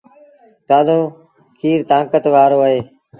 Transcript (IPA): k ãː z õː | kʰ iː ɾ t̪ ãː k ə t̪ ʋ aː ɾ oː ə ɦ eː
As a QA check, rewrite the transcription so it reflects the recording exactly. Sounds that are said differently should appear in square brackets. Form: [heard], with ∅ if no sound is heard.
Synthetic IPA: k [aː] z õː | kʰ iː ɾ t̪ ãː k ə t̪ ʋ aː ɾ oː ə ɦ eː